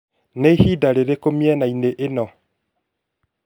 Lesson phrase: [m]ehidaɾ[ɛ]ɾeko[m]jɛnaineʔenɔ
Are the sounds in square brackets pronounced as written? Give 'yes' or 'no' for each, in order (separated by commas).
no, no, yes